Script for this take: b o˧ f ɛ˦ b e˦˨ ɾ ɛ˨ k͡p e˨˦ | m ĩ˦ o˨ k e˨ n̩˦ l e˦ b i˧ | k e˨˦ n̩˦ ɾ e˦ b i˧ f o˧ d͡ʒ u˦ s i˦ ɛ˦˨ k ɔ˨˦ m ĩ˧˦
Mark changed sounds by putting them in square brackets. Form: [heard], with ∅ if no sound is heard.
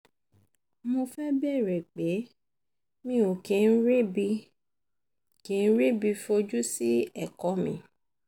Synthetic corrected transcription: [m] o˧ f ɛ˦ b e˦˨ ɾ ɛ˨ k͡p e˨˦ | m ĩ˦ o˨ k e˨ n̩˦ [ɾ] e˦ b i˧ | k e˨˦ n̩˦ ɾ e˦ b i˧ f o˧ d͡ʒ u˦ s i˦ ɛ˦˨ k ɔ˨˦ m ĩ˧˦